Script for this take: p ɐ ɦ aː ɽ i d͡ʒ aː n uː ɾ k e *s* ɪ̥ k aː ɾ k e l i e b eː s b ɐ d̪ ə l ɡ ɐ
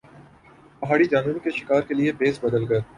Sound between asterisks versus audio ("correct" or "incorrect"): incorrect